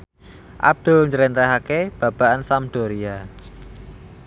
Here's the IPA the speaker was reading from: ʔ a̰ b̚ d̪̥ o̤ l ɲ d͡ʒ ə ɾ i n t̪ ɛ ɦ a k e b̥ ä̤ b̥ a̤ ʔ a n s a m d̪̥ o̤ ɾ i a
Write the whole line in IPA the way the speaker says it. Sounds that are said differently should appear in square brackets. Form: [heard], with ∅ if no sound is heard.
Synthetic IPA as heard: ʔ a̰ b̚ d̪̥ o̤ l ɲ d͡ʒ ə ɾ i n t̪ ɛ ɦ a k e b̥ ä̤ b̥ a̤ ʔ a n s a m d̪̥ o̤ ɾ i a